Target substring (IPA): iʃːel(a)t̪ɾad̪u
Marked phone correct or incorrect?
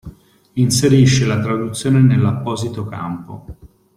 correct